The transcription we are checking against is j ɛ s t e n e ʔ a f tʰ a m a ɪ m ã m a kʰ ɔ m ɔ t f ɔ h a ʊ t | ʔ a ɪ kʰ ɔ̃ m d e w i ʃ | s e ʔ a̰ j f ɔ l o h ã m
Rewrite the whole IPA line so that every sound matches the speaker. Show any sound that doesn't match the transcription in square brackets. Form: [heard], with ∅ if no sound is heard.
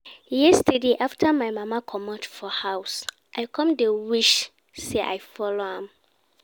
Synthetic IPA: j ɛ s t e [d] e ʔ a f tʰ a m a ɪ m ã m a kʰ ɔ m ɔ t f ɔ h a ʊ [s] | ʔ a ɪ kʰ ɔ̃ m d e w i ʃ | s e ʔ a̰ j f ɔ l o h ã m